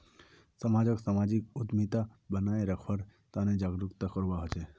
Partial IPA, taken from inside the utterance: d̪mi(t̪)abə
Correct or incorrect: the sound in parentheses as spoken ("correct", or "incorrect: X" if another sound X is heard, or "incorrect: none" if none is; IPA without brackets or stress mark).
correct